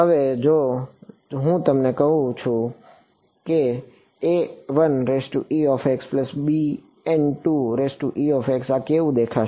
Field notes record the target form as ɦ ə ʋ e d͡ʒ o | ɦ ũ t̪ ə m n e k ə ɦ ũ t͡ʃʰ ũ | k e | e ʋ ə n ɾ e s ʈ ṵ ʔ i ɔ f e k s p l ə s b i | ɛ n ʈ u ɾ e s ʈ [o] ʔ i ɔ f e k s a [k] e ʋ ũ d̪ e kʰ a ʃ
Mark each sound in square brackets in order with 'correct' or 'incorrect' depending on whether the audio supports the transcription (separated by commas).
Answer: incorrect, correct